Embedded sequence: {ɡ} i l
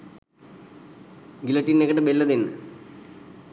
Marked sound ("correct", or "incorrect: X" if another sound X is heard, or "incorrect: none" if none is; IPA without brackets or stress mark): correct